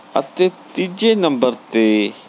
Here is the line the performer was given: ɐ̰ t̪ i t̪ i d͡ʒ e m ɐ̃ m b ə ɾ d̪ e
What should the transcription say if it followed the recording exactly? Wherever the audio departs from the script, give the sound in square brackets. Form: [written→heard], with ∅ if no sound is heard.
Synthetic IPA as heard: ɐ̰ t̪ [i→e] t̪ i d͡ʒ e [m→n] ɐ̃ m b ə ɾ [d̪→t̪] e

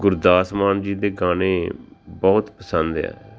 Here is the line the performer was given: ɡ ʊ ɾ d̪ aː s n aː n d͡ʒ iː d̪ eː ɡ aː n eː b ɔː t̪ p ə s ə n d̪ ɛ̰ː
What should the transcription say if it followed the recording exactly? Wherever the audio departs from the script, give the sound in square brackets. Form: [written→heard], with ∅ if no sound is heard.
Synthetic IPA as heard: ɡ ʊ ɾ d̪ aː s [n→m] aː n d͡ʒ iː d̪ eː ɡ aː n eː b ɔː t̪ p ə s ə n d̪ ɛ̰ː

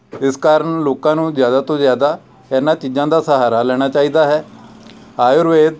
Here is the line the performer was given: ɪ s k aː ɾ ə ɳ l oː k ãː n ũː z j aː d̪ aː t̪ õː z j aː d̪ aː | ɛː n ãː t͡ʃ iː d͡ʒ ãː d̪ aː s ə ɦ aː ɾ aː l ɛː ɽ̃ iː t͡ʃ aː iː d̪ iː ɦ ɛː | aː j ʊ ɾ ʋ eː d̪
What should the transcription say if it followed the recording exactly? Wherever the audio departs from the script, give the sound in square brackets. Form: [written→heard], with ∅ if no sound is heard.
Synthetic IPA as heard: ɪ s k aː ɾ ə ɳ l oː k ãː n ũː z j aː d̪ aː t̪ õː z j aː d̪ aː | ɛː n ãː t͡ʃ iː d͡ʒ ãː d̪ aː s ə ɦ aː ɾ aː l ɛː ɽ̃ [iː→aː] t͡ʃ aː iː d̪ [iː→aː] ɦ ɛː | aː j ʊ ɾ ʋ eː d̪

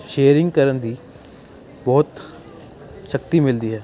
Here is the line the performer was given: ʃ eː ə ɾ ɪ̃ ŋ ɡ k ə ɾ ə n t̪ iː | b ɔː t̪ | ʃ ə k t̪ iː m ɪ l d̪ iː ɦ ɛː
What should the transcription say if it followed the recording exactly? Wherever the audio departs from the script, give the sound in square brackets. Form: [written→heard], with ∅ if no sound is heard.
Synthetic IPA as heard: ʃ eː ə ɾ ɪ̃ ŋ ɡ k ə ɾ ə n [t̪→d̪] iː | b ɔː t̪ | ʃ ə k t̪ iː m ɪ l d̪ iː ɦ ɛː

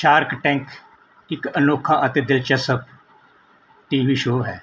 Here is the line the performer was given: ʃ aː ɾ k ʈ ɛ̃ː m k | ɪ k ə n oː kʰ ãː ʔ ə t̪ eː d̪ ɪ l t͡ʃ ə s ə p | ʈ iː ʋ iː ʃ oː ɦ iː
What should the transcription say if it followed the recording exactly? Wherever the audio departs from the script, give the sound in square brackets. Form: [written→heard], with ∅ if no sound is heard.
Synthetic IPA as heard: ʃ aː ɾ k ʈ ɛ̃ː [m→ŋ] k | ɪ k ə n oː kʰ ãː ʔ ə t̪ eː d̪ ɪ l t͡ʃ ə s ə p | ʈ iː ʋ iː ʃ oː ɦ [iː→ɛː]

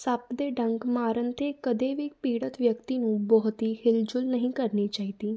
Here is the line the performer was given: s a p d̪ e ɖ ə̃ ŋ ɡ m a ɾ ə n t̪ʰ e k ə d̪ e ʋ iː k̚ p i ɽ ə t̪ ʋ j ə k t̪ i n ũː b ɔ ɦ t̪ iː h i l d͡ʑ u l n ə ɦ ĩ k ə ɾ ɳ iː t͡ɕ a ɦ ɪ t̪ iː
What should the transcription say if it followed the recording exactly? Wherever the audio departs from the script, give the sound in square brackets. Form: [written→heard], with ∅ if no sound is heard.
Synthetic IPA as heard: s a p d̪ e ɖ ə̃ ŋ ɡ m a ɾ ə n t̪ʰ e k ə d̪ e ʋ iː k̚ p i ɽ ə t̪ ʋ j ə k t̪ i n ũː b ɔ ɦ t̪ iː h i l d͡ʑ u l n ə ɦ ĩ k ə ɾ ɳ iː t͡ɕ a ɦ [ɪ→i] t̪ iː

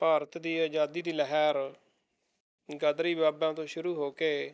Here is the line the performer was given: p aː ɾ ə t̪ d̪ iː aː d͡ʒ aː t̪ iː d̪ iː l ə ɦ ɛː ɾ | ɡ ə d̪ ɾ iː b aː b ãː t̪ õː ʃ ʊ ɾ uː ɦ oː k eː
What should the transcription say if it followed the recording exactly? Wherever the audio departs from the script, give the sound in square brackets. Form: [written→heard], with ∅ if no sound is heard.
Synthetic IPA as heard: p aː ɾ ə t̪ d̪ iː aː d͡ʒ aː [t̪→d̪] iː d̪ iː l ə ɦ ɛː ɾ | ɡ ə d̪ ɾ iː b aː b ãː t̪ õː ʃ ʊ ɾ uː ɦ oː k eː

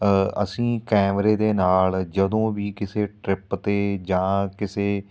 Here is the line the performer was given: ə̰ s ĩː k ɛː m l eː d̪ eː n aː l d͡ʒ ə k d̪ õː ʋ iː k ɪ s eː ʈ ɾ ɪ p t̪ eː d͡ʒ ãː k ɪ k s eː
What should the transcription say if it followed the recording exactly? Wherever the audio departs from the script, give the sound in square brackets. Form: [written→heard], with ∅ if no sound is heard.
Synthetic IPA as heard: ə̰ s ĩː k ɛː m [l→ɾ] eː d̪ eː n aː l d͡ʒ ə [k→∅] d̪ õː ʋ iː k ɪ s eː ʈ ɾ ɪ p t̪ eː d͡ʒ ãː k ɪ [k→∅] s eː

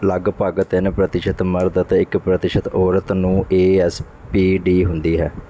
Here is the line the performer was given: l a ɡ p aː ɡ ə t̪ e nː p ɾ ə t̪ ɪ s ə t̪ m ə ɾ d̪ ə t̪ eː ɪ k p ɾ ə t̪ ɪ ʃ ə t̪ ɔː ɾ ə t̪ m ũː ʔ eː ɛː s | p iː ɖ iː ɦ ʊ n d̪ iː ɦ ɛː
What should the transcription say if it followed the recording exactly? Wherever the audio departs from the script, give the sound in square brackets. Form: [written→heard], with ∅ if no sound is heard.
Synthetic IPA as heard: l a ɡ p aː ɡ ə t̪ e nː p ɾ ə t̪ ɪ [s→ʃ] ə t̪ m ə ɾ d̪ ə t̪ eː ɪ k p ɾ ə t̪ ɪ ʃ ə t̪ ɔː ɾ ə t̪ [m→n] ũː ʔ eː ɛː s | p iː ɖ iː ɦ ʊ n d̪ iː ɦ ɛː

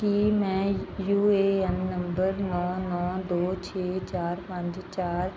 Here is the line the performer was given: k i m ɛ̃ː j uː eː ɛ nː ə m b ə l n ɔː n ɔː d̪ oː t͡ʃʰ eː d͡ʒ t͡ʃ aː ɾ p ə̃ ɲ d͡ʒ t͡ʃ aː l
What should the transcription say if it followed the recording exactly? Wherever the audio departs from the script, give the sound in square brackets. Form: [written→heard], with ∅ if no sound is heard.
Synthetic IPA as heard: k i m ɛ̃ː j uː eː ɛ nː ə m b ə [l→ɾ] n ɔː n ɔː d̪ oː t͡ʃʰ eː [d͡ʒ→∅] t͡ʃ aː ɾ p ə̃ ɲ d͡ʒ t͡ʃ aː [l→ɾ]

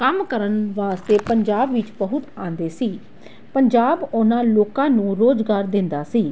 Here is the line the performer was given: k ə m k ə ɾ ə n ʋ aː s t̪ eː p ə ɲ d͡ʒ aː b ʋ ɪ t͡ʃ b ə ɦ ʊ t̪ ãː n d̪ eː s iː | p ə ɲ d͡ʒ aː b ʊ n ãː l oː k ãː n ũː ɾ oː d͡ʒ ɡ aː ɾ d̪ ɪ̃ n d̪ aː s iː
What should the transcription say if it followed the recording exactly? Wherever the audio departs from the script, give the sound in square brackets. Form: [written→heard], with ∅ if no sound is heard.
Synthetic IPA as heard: k ə m k ə ɾ ə n ʋ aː s t̪ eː p ə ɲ d͡ʒ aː b ʋ ɪ t͡ʃ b ə ɦ ʊ t̪ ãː n d̪ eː s iː | p ə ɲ d͡ʒ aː b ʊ n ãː l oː k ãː n ũː ɾ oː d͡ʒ ɡ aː ɾ d̪ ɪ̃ n d̪ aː s iː

